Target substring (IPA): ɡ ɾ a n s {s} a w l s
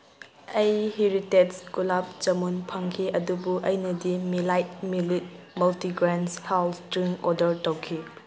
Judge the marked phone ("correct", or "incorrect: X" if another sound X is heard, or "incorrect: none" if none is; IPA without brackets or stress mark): incorrect: h